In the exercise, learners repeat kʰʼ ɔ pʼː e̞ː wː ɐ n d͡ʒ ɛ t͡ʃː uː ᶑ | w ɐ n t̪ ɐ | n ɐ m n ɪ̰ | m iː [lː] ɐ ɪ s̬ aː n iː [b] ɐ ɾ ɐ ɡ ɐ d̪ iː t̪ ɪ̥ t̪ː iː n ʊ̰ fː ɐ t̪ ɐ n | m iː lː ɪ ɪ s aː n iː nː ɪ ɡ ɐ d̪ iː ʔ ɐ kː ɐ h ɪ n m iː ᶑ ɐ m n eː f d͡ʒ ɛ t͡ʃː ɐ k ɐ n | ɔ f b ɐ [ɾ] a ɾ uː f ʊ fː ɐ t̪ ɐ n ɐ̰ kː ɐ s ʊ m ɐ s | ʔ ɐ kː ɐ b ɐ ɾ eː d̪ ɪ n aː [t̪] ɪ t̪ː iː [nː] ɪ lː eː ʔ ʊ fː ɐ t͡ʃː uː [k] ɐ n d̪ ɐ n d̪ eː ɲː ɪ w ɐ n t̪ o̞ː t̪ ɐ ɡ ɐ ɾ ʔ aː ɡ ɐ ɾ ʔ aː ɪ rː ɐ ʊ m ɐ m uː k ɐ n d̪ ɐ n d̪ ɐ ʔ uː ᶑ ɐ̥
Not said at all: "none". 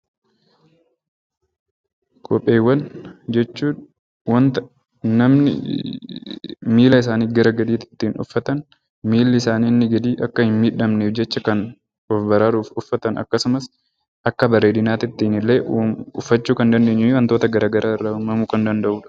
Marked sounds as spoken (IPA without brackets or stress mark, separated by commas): l, ɡ, ɾ, t̪, n, k